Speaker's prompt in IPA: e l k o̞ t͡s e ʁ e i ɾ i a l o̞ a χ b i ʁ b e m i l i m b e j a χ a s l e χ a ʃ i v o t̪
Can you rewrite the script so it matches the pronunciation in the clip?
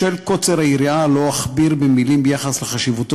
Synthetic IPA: e l k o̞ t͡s e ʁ a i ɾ i a l o̞ a χ b i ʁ b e m i l i m b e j a χ a s l e χ a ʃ i v u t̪